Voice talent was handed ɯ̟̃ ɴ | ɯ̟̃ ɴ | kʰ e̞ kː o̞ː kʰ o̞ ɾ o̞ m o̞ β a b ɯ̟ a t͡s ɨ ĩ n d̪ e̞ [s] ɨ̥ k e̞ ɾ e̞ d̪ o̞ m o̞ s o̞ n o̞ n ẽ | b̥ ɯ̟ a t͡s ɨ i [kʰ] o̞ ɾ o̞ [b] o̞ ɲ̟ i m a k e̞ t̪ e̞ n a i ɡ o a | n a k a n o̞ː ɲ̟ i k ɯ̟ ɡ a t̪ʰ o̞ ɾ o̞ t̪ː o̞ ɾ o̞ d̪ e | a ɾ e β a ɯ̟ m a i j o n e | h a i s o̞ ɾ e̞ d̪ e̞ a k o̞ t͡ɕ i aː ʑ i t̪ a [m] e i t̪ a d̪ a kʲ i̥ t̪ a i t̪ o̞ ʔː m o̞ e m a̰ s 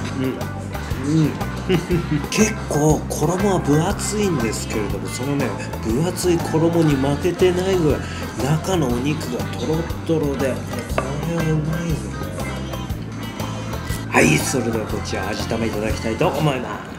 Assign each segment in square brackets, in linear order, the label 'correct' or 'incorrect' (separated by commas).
correct, correct, incorrect, correct